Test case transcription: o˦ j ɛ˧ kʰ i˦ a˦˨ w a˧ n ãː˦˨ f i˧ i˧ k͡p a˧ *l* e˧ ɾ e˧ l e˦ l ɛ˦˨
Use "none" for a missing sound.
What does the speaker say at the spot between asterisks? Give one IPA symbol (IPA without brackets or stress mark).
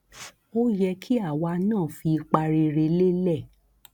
ɾ